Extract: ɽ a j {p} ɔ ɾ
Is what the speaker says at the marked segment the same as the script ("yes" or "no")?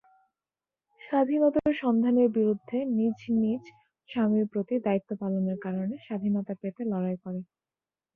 no